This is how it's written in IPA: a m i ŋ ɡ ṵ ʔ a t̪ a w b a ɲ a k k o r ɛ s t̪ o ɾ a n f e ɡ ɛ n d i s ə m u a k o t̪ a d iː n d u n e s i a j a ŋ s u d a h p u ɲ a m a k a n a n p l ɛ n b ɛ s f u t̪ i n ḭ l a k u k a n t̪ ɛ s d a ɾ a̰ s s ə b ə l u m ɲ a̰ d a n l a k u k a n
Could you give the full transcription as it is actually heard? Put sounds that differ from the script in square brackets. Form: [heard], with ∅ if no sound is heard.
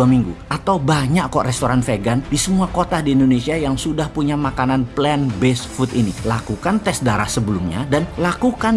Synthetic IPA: a m i ŋ ɡ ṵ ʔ a t̪ a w b a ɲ a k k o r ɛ s t̪ o ɾ a n f e ɡ [a] n d i s ə m u a k o t̪ a d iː n d [o] n e s i a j a ŋ s u d a h p u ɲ a m a k a n a n p l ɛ n b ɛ s f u t̪ i n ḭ l a k u k a n t̪ ɛ s d a ɾ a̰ [h] s ə b ə l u m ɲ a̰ d a n l a k u k a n